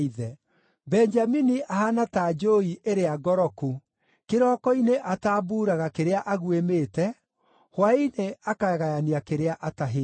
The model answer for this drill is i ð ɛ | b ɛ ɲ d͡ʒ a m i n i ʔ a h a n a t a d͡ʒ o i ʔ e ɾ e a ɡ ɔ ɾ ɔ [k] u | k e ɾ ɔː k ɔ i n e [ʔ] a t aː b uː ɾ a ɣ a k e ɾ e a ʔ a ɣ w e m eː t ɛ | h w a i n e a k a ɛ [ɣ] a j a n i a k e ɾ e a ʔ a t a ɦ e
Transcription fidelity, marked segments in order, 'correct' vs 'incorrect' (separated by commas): correct, correct, correct